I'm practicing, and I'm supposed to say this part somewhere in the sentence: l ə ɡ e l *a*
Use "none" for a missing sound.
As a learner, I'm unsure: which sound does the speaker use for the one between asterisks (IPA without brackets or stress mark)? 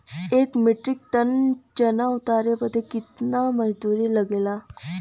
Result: a